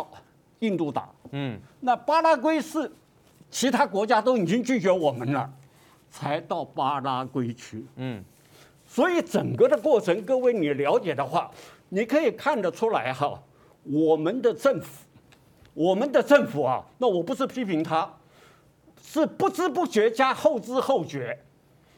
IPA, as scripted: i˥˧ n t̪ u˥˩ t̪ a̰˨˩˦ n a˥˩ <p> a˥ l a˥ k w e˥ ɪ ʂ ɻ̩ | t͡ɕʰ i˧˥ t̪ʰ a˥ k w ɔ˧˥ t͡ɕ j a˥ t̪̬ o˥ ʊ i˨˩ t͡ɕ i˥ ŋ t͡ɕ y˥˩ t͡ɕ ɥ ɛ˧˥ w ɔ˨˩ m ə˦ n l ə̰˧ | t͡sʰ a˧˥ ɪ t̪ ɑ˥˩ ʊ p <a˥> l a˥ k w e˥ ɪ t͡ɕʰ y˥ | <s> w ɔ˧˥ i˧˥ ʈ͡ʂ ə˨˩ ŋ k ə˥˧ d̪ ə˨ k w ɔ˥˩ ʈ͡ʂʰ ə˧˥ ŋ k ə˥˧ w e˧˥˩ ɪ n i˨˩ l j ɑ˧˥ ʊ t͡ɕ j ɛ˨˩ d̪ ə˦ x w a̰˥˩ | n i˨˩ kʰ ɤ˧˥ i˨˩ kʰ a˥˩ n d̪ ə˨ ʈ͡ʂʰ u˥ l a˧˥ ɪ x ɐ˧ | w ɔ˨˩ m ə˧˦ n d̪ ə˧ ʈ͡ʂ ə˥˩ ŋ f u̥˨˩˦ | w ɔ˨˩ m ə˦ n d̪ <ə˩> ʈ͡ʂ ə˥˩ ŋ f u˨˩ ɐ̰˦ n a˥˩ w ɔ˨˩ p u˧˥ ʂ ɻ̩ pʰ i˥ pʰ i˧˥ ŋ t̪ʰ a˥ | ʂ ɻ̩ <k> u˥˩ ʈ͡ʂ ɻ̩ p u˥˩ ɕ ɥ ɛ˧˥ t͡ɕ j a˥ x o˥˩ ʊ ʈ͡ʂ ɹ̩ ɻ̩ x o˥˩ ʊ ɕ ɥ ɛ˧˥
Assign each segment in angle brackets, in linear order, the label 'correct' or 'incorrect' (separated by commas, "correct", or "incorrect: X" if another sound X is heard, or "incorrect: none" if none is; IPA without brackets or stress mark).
correct, correct, correct, incorrect: ə˧, incorrect: p